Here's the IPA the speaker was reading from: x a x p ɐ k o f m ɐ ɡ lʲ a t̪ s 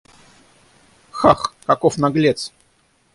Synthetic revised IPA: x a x k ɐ k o f n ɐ ɡ lʲ e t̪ s